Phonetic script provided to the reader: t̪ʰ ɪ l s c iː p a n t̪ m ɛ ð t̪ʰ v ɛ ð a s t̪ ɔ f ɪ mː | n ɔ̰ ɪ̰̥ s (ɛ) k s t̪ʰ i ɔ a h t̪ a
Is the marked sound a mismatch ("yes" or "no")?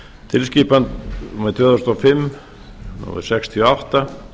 no